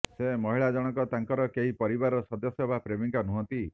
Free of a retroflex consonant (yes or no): no